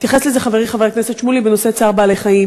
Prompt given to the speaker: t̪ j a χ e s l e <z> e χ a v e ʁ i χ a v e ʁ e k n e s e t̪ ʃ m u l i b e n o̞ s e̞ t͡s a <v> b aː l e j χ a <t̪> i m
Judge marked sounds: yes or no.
yes, no, no

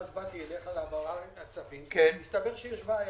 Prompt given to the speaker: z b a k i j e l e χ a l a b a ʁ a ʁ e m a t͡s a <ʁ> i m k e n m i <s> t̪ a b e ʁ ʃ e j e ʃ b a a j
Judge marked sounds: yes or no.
no, yes

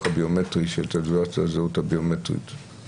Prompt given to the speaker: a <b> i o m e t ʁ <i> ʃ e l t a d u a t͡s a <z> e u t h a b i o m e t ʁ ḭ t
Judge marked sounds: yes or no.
yes, yes, yes

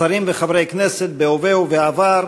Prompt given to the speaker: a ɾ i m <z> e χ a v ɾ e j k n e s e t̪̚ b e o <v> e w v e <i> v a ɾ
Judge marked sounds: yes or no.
no, yes, no

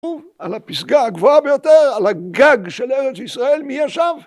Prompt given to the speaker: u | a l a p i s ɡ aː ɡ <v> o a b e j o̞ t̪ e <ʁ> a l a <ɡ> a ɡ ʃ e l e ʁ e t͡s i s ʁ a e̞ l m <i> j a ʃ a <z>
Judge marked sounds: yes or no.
yes, yes, yes, yes, no

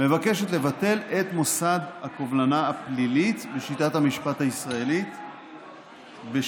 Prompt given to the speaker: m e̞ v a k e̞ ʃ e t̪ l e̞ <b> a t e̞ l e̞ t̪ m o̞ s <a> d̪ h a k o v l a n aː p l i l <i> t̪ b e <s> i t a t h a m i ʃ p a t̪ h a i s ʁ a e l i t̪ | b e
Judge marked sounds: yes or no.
no, yes, yes, no

